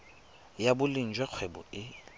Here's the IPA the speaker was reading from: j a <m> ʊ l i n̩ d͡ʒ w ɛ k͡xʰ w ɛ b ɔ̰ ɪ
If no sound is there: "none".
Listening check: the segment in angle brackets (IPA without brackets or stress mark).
b